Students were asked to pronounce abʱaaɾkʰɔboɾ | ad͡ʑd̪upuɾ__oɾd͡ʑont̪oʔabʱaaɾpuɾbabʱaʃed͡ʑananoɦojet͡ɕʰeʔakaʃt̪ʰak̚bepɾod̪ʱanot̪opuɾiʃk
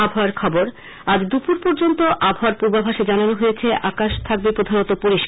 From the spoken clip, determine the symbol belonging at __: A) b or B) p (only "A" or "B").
B